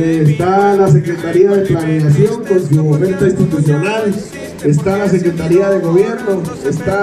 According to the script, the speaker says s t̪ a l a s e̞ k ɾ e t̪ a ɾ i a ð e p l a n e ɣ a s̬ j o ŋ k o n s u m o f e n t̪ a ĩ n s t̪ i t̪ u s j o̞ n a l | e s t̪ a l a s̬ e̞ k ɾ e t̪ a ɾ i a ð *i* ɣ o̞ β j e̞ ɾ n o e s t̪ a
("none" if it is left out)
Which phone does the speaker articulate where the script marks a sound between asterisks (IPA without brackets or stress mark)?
e